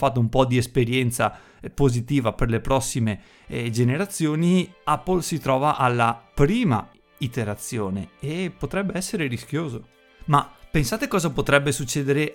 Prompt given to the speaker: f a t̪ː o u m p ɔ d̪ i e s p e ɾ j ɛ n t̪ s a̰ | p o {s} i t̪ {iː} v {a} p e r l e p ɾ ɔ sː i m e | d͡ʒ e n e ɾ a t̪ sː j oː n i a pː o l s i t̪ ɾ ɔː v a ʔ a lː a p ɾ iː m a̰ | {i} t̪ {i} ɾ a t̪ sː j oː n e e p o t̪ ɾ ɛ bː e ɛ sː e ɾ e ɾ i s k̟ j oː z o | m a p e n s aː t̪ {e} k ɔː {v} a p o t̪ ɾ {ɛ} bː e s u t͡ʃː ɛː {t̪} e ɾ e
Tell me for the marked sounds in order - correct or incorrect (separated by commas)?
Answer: incorrect, correct, correct, correct, incorrect, correct, incorrect, correct, incorrect